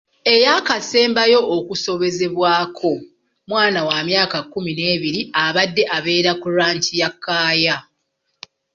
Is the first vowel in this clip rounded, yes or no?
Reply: no